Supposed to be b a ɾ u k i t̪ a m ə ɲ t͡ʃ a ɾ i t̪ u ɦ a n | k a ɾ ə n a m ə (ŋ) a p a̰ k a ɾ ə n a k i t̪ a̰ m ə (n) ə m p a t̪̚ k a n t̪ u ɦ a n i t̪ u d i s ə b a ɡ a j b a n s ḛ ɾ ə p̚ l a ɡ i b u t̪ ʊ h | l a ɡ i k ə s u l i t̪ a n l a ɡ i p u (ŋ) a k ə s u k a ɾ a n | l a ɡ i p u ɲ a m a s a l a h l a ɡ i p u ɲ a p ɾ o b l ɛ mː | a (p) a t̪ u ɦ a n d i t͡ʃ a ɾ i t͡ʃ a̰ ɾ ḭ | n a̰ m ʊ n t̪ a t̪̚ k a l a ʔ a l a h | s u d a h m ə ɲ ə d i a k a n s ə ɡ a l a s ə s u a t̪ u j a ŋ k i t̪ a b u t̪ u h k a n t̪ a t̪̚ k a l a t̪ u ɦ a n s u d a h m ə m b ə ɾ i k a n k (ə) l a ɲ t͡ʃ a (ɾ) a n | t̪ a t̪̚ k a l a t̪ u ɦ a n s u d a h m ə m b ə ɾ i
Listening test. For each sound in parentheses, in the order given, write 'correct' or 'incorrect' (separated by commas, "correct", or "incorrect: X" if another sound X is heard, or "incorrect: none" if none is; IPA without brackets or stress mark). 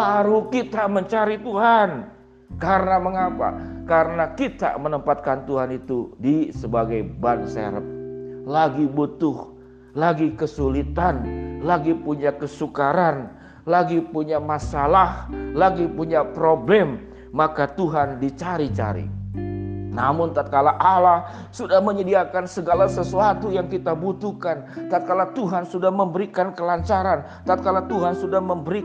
correct, correct, incorrect: ɲ, incorrect: k, correct, correct